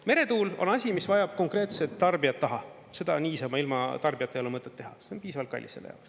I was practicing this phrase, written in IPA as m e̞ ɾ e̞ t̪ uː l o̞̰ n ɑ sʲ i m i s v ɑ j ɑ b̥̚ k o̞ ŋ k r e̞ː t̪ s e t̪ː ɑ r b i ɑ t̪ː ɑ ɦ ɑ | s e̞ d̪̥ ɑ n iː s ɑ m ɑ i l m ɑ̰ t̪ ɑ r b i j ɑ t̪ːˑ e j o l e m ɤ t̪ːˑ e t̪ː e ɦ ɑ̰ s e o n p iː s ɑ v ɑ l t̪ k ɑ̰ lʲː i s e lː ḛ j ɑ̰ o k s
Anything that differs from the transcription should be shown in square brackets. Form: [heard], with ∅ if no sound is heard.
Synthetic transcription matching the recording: m e̞ ɾ e̞ t̪ uː l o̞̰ n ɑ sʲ i m i s v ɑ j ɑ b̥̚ k o̞ ŋ k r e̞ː t̪ s e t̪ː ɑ r b i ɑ t̪ː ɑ ɦ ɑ | s e̞ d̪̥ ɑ n iː s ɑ m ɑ i l m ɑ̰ t̪ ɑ r b i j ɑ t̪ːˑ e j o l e m ɤ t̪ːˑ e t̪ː e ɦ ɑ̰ s e o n p iː s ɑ v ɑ l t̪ k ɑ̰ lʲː i s e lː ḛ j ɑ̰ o k s